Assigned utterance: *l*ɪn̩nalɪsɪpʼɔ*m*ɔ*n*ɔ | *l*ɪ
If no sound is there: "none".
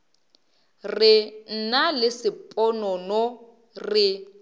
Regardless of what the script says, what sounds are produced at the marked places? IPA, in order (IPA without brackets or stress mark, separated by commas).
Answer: r, n, n, r